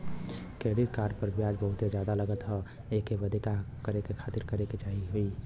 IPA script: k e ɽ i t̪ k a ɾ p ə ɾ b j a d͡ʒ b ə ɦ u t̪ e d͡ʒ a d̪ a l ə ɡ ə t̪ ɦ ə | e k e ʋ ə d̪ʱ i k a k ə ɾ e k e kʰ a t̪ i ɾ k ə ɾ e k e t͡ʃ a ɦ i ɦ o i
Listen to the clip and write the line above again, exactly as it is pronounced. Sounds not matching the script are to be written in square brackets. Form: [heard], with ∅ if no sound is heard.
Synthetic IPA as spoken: k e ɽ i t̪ k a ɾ p ə ɾ b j a d͡ʒ b ə ɦ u t̪ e d͡ʒ a d̪ a l ə ɡ ə t̪ ɦ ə | e k e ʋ ə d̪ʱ i k a k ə ɾ e k e kʰ a t̪ i ɾ k ə ɾ e k e t͡ʃ a ɦ i ɦ o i

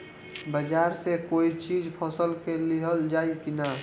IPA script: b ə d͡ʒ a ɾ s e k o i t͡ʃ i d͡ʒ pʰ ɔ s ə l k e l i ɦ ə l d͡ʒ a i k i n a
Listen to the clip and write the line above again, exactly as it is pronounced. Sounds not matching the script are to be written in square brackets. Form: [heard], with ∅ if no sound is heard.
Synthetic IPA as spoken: b ə d͡ʒ a ɾ s e k o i t͡ʃ i d͡ʒ pʰ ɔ s ə l k e l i ɦ ə l d͡ʒ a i k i n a

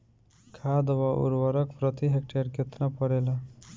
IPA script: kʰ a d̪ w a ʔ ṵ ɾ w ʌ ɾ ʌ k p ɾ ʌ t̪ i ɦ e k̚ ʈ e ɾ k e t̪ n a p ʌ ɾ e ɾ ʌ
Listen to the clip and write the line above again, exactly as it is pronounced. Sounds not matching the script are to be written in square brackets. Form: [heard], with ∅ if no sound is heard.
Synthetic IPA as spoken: kʰ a d̪ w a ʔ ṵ ɾ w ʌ ɾ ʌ k p ɾ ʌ t̪ i ɦ e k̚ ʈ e ɾ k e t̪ n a p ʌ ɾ e [l] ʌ

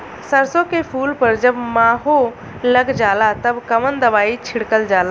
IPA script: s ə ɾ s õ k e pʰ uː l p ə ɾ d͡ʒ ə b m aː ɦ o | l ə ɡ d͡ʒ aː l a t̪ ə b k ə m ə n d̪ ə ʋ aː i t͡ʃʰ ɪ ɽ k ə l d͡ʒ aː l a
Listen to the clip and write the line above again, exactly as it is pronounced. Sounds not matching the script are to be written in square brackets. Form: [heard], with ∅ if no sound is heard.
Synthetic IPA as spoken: s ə ɾ s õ k e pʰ uː l p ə ɾ d͡ʒ ə b m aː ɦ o | l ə ɡ d͡ʒ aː l a t̪ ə b k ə m ə n d̪ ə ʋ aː i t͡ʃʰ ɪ ɽ k ə l d͡ʒ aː l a

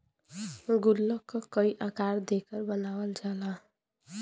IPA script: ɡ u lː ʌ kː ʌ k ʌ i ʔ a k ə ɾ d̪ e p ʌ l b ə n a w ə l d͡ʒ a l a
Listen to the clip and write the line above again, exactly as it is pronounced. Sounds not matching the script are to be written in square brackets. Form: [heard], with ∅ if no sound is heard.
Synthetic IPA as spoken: ɡ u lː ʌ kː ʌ k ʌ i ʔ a k [a] ɾ d̪ e [k] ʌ [ɾ] b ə n a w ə l d͡ʒ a l a

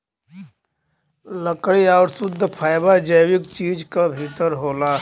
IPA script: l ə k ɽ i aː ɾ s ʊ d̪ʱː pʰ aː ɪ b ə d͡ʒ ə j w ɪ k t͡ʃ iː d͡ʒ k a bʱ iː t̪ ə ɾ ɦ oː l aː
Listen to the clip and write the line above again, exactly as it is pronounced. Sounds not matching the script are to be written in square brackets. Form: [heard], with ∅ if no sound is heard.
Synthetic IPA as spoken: l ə k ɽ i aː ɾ s ʊ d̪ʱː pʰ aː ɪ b [a] d͡ʒ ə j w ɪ k t͡ʃ iː d͡ʒ k a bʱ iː t̪ ə ɾ ɦ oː l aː

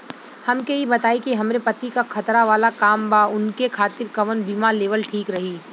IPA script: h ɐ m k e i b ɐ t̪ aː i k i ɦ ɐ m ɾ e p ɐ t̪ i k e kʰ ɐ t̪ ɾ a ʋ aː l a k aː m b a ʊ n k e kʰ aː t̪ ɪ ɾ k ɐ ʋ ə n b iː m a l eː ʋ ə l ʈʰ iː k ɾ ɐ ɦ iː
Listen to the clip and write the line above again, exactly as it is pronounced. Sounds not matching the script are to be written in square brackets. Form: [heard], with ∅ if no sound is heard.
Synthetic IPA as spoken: h ɐ m k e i b ɐ t̪ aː i k i ɦ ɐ m ɾ e p ɐ t̪ i k [a] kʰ ɐ t̪ ɾ a ʋ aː l a k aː m b a ʊ n k e kʰ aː t̪ ɪ ɾ k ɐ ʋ ə n b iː m a l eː ʋ ə l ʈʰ iː k ɾ ɐ ɦ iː

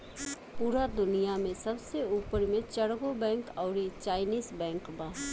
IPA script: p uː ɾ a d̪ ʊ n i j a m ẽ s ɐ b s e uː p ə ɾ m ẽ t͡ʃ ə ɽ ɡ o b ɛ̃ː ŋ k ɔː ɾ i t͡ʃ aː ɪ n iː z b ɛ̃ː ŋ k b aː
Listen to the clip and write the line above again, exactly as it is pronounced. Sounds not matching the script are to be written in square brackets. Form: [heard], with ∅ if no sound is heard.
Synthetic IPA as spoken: p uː ɾ a d̪ ʊ n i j a m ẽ s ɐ b s e uː p ə ɾ m ẽ t͡ʃ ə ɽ ɡ o b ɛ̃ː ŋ k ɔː ɾ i t͡ʃ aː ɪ n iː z b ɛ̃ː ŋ k b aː

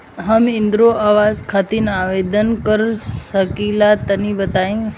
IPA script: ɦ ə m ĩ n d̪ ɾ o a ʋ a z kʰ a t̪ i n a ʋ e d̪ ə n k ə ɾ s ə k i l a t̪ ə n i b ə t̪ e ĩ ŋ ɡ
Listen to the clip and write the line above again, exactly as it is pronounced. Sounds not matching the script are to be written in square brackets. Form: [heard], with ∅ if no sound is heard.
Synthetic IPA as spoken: ɦ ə m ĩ n d̪ ɾ o a ʋ a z kʰ a t̪ i n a ʋ e d̪ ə n k ə ɾ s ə k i l a t̪ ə n i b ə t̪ [a] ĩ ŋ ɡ

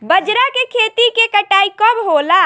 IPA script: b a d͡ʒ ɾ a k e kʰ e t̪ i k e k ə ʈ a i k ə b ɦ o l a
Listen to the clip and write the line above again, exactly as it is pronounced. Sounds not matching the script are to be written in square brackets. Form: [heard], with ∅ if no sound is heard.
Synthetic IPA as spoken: b [ə] d͡ʒ ɾ a k e kʰ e t̪ i k e k ə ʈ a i k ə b ɦ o l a

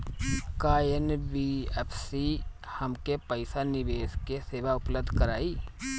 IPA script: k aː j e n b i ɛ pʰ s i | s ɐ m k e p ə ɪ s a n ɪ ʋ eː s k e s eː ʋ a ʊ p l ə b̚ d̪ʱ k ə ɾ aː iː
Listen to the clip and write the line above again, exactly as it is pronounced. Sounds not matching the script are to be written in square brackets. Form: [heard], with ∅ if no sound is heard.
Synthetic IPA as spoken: k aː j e n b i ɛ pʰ s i | [h] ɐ m k e p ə ɪ s a n ɪ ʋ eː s k e s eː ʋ a ʊ p l ə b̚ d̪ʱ k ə ɾ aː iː

